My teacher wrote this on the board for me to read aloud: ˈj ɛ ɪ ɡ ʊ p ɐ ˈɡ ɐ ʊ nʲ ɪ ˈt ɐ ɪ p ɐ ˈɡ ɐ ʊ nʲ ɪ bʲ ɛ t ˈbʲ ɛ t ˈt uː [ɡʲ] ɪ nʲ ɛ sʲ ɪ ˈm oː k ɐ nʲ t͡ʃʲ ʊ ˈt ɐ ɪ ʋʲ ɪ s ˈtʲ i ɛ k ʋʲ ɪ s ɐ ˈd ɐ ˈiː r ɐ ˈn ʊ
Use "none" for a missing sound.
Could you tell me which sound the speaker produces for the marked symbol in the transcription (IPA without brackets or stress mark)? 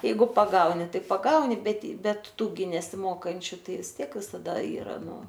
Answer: ɡʲ